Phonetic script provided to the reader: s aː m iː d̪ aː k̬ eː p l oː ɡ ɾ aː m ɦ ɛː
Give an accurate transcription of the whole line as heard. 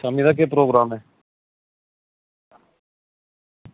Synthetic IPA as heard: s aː m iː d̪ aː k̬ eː p ɾ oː ɡ ɾ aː m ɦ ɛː